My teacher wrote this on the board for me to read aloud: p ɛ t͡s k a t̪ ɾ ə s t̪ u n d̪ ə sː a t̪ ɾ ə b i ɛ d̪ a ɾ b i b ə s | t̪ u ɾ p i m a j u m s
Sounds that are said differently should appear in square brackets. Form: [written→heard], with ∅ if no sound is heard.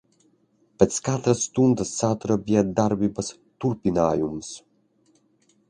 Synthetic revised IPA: p ɛ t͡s k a t̪ ɾ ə s t̪ u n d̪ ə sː a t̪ ɾ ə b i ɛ d̪ a ɾ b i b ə s | t̪ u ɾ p i [m→n] a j u m s